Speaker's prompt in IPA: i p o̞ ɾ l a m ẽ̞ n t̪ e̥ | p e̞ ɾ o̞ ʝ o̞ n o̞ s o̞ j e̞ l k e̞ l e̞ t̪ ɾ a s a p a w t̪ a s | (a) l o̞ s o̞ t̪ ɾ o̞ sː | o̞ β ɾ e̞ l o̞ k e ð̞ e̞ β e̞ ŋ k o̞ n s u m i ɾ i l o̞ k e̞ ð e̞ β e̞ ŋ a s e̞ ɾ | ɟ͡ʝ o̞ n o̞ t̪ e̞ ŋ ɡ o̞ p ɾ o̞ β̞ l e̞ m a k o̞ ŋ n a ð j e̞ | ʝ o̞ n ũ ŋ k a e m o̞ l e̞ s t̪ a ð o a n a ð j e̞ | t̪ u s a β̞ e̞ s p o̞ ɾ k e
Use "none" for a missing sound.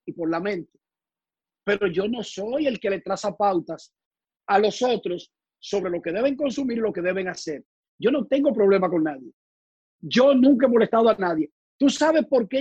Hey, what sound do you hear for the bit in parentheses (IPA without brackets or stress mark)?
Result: a